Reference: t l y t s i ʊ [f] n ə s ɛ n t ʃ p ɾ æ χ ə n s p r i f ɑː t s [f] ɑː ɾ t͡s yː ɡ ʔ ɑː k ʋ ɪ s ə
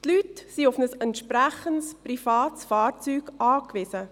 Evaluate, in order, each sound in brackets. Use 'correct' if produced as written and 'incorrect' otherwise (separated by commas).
correct, correct